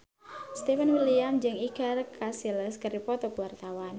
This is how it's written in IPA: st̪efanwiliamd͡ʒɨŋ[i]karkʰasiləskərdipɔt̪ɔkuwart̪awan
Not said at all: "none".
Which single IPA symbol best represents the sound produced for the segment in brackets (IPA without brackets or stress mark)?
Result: i